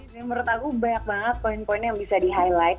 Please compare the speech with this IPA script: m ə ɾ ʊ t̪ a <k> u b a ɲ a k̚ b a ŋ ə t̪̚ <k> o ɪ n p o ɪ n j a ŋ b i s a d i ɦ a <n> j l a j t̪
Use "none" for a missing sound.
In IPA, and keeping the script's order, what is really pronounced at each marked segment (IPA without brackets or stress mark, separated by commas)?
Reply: k, p, none